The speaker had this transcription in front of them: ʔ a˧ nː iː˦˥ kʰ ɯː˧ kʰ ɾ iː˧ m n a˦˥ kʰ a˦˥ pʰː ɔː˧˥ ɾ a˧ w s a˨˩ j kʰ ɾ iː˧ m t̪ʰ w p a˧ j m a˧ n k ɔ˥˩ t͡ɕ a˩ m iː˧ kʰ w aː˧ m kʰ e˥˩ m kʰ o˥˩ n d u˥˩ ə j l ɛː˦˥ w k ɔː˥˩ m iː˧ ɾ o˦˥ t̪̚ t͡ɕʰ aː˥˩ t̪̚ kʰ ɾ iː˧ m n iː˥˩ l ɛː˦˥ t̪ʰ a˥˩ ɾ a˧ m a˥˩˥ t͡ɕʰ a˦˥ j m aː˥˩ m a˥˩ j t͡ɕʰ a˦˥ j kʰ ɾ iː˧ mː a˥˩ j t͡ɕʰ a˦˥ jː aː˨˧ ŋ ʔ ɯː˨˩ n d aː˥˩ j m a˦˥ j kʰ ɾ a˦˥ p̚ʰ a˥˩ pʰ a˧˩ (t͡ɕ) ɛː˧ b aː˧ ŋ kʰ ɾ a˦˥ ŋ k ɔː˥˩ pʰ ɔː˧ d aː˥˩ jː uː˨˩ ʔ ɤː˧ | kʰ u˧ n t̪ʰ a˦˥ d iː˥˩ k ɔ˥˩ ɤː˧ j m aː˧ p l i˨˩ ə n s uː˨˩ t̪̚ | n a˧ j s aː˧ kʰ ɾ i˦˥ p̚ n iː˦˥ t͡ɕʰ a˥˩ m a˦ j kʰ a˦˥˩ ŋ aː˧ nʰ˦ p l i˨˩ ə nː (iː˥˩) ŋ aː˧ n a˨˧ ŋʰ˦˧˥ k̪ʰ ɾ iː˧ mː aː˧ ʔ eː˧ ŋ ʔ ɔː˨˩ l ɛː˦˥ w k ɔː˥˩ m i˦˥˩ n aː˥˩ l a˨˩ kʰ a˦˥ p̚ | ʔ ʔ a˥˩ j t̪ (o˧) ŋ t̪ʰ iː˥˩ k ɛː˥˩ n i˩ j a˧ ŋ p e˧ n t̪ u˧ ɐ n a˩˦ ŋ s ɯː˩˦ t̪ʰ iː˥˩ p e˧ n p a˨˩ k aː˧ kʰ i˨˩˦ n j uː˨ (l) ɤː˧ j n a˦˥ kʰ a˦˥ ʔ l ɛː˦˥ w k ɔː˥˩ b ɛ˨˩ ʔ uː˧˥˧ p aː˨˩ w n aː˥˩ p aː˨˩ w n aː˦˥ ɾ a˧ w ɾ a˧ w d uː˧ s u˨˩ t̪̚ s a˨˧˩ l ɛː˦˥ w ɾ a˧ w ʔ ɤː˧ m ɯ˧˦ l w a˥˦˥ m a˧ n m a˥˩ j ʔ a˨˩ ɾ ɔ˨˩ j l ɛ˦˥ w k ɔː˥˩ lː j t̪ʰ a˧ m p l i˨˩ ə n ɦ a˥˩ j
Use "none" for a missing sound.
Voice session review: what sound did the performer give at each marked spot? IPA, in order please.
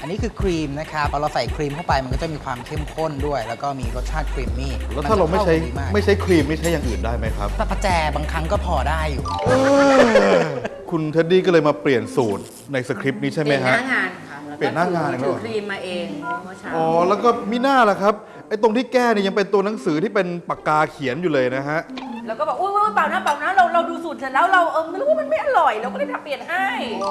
t͡ɕ, aː˥˩, o˧, l

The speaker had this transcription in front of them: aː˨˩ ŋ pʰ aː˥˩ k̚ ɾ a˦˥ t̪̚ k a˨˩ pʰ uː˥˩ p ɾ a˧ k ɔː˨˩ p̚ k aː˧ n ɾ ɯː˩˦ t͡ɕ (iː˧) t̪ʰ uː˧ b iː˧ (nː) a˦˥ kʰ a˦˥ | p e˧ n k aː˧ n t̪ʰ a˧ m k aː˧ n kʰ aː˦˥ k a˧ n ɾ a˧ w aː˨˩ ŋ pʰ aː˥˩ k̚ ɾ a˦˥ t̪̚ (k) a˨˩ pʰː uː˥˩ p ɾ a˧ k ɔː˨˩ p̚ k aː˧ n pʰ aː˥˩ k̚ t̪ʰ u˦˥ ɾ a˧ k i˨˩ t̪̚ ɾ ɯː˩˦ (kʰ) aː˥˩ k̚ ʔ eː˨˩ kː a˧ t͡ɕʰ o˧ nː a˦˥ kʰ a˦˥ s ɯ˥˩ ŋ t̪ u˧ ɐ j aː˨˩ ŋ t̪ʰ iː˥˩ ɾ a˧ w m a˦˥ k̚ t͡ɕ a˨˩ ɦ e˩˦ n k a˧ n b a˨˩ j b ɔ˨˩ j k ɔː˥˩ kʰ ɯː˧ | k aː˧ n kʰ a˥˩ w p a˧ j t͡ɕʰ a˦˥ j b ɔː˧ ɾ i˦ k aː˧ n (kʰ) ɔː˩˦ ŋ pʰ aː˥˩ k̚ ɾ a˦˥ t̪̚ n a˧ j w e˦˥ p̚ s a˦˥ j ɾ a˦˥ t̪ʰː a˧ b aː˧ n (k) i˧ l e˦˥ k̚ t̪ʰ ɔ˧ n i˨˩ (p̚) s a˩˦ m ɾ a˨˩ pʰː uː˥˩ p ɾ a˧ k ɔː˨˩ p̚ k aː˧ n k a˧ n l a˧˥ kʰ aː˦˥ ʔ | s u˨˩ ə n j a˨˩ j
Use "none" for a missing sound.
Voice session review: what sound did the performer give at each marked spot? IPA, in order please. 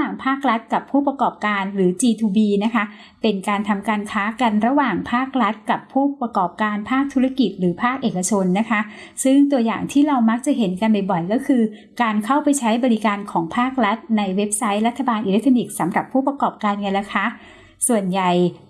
iː˧, n, k, pʰ, kʰ, ʔ, k̚

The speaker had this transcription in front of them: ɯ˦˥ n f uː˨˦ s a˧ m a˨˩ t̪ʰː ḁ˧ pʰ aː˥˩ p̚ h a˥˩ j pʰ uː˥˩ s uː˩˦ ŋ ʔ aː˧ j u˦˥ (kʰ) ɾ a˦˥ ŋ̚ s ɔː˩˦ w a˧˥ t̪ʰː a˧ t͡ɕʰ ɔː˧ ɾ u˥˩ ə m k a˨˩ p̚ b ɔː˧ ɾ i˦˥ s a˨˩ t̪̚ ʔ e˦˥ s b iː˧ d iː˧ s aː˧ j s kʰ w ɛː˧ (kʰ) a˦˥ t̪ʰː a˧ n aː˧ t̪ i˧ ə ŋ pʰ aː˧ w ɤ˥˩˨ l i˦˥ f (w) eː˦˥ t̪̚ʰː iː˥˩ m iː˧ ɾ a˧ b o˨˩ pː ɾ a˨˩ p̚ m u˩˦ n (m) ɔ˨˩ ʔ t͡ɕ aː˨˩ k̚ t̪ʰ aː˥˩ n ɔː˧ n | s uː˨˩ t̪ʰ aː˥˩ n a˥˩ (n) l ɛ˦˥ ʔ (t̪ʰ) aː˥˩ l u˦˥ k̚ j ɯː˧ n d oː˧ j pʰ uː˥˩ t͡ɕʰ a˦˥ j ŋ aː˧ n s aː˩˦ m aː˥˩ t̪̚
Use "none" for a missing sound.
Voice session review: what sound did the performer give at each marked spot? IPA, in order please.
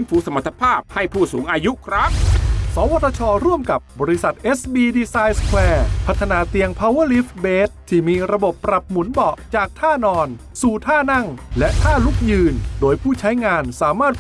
kʰ, pʰ, b, b, ŋ, t̪ʰ

